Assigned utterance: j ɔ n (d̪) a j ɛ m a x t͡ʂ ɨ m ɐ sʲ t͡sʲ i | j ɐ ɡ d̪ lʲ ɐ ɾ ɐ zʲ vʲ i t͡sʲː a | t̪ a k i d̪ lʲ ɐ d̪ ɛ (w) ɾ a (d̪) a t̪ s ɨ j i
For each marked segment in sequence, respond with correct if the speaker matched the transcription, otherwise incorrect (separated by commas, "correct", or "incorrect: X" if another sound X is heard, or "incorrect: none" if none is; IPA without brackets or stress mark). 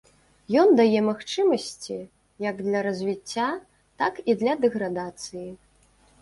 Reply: correct, incorrect: ɣ, correct